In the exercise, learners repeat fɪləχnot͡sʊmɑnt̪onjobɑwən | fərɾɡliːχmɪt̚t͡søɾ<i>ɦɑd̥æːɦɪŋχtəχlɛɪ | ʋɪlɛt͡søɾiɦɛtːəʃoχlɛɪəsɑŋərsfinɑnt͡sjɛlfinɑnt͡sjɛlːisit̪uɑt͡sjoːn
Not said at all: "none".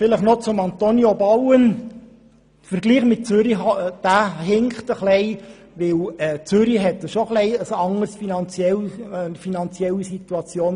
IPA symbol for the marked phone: i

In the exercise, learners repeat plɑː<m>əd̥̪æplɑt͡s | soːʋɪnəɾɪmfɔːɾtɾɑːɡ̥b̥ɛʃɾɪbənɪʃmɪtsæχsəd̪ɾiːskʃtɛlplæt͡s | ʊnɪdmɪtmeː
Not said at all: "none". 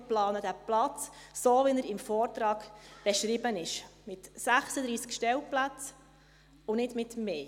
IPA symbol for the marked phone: n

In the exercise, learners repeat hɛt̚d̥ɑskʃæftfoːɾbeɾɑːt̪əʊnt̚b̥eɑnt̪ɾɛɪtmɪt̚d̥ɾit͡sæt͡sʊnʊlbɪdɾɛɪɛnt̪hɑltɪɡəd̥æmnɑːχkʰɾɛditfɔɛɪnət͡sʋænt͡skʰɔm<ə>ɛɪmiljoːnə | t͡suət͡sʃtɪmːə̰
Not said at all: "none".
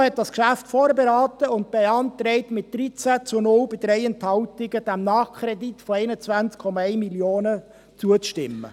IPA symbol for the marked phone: ɑ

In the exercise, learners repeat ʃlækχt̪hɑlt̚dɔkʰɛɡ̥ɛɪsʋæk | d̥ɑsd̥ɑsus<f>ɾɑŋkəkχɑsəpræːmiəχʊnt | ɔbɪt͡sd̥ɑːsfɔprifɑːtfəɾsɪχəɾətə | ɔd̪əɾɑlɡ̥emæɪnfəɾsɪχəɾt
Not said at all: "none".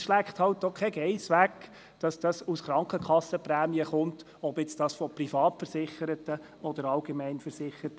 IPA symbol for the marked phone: χ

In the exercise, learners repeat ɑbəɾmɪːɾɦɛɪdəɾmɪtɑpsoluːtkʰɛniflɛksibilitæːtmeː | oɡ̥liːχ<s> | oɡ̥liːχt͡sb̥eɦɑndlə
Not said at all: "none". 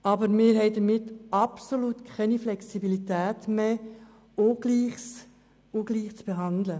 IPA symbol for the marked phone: s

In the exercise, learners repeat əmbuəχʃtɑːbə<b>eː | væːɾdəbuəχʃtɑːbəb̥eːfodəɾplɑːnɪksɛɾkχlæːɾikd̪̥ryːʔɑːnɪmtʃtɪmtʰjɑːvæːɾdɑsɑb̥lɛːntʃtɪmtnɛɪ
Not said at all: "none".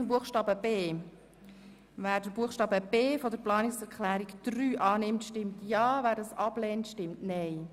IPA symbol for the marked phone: b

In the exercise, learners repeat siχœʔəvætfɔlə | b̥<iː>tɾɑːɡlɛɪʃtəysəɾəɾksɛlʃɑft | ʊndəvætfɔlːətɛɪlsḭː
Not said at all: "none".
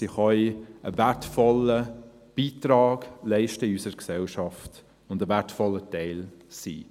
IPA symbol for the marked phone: iː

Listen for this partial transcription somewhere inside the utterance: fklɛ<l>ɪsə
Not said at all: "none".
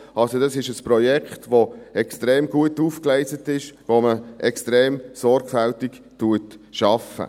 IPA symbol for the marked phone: none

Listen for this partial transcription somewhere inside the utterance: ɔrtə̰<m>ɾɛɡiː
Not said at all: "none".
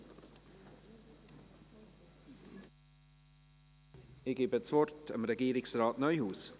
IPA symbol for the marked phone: m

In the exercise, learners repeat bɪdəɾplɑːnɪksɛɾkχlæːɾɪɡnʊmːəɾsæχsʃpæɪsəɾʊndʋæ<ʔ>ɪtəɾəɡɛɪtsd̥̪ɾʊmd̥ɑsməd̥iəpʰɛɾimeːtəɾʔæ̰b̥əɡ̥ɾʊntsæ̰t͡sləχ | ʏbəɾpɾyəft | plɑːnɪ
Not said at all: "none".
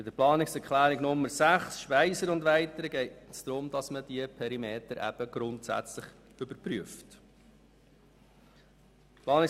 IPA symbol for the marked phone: none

